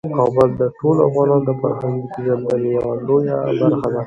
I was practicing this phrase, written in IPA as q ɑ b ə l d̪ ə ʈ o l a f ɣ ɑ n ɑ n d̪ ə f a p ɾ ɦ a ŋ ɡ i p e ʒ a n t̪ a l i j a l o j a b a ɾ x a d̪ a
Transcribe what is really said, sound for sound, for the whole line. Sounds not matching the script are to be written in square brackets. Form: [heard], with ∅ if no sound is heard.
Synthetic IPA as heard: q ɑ b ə l d̪ ə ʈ o l a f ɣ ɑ n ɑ n d̪ ə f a [∅] ɾ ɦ a ŋ ɡ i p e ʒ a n [d̪] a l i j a l o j a b a ɾ x a d̪ a